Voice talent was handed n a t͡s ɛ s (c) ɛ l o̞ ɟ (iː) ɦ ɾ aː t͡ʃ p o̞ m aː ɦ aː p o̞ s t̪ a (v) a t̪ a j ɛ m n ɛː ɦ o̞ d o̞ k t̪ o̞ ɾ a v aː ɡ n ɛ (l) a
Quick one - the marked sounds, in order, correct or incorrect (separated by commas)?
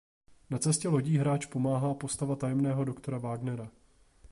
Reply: correct, correct, correct, incorrect